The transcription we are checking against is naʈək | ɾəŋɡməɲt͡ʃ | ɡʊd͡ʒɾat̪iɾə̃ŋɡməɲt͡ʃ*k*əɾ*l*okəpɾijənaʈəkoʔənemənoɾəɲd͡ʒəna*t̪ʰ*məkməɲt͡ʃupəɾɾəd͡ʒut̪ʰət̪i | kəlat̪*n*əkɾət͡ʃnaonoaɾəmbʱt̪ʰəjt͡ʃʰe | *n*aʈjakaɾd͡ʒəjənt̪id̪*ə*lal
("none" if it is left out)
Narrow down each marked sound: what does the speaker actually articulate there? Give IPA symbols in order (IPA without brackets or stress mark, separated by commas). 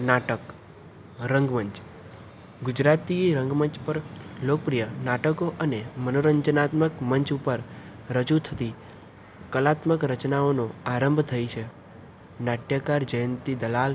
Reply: p, l, t̪, m, n, ə